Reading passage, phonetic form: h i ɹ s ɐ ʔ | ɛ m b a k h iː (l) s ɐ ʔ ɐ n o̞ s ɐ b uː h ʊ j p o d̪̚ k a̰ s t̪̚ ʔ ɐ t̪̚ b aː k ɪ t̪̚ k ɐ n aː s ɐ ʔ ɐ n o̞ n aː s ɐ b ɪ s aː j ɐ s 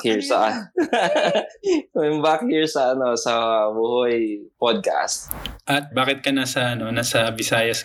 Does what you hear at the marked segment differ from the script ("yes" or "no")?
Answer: yes